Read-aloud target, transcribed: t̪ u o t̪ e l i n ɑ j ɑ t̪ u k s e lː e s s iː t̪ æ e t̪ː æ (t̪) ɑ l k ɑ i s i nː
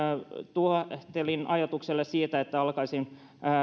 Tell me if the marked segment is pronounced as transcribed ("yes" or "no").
no